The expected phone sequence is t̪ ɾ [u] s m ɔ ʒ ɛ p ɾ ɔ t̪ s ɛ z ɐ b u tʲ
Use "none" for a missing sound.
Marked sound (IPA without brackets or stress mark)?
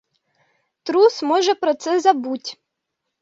u